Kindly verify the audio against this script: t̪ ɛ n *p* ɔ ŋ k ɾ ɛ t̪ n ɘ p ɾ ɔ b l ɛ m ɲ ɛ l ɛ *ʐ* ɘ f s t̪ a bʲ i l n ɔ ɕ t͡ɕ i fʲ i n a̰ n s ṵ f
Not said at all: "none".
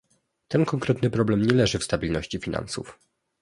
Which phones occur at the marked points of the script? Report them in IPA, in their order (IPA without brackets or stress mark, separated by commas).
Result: k, ʐ